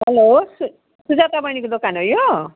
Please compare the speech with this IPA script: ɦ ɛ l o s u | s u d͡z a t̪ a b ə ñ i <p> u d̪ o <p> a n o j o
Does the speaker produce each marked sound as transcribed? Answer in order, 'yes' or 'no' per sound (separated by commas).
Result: no, no